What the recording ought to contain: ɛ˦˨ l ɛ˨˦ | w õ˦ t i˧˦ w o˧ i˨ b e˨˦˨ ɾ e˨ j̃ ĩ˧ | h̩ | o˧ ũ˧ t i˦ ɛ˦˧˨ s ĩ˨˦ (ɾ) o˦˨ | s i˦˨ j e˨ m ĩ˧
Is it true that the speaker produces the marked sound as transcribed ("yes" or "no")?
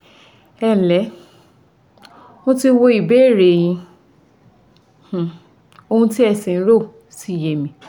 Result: yes